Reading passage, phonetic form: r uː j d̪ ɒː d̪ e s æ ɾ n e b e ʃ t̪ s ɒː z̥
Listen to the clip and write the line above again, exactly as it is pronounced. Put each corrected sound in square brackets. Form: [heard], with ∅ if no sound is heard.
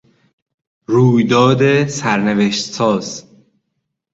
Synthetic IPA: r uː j d̪ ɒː d̪ e s æ ɾ n e [v] e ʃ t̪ s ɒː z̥